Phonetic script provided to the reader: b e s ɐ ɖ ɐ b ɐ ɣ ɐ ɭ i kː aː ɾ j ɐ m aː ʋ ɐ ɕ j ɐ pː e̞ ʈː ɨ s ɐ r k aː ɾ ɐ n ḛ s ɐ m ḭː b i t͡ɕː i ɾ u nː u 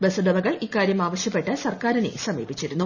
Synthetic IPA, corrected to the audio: b e s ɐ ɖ ɐ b ɐ ɣ ɐ ɭ i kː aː ɾ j ɐ m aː ʋ ɐ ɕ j ɐ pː e̞ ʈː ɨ s ɐ r k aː ɾ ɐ n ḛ s ɐ m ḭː b i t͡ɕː i ɾ u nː u